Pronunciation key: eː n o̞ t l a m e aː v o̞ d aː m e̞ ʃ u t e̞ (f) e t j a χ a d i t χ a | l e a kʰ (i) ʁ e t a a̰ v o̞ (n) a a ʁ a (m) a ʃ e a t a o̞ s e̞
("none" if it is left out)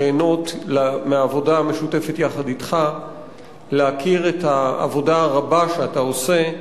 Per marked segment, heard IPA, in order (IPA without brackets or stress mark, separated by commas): f, i, d, b